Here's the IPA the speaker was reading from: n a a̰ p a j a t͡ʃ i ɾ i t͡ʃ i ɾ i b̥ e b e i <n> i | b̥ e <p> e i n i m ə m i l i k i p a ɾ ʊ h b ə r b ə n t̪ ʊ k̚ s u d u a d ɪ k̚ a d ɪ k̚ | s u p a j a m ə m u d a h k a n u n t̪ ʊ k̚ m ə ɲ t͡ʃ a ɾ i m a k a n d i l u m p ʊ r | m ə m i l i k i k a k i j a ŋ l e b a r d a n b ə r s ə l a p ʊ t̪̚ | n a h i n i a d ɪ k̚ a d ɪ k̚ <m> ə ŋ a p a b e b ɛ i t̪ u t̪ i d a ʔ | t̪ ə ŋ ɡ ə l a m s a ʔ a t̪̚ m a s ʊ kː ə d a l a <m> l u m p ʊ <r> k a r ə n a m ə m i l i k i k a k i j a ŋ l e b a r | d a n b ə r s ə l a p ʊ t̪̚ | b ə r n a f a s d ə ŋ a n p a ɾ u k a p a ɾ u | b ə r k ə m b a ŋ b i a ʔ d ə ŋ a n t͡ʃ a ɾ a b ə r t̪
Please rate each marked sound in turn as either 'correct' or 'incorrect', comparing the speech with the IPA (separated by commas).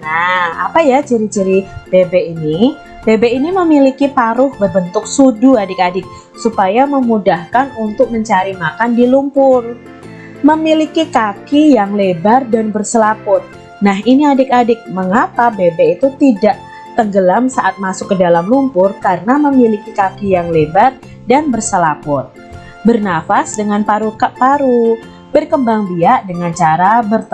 correct, incorrect, correct, correct, correct